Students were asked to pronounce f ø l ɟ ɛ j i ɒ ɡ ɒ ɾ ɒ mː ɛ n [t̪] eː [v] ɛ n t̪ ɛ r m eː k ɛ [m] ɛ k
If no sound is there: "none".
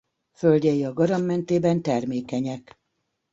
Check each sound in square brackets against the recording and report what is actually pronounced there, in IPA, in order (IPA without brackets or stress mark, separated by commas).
t̪, b, ɲ